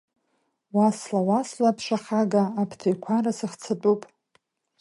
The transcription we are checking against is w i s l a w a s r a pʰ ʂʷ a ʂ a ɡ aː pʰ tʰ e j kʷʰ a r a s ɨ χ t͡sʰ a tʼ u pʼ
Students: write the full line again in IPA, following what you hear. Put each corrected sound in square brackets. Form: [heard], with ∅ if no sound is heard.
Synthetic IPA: w [a] s l a w a s [l] a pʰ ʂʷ a [χ] a ɡ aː pʰ tʰ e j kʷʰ a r a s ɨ χ t͡sʰ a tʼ u pʼ